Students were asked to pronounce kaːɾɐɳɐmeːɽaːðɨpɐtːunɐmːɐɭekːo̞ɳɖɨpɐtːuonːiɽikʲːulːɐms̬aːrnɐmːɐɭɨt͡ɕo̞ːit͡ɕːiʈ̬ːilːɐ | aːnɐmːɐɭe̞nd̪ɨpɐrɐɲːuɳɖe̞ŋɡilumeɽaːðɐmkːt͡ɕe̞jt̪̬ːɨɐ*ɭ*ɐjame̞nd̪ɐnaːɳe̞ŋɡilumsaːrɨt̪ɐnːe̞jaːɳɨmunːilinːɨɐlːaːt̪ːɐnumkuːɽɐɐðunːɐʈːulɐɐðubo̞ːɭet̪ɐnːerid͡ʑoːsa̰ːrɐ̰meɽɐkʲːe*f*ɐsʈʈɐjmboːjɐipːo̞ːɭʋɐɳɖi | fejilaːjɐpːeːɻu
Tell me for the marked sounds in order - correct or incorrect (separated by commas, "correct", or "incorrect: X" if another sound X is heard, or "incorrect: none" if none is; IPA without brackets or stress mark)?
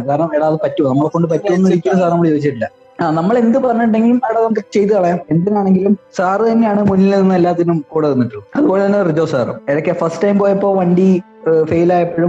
correct, correct